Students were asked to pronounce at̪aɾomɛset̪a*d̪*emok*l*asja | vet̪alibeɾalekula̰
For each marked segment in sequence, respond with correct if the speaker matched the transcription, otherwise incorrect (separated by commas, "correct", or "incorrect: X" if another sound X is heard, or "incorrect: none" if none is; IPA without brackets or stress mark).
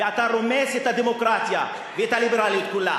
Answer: correct, incorrect: ɾ